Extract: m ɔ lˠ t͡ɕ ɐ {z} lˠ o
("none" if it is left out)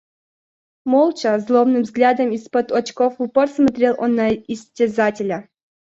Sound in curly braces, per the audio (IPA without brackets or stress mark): z